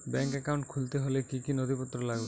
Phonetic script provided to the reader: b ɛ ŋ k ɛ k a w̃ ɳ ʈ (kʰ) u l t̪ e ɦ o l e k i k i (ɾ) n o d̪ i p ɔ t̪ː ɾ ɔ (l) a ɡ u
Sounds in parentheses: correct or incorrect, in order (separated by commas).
correct, incorrect, correct